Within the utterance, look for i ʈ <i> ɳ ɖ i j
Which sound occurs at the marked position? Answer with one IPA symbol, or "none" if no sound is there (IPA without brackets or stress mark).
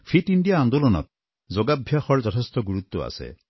i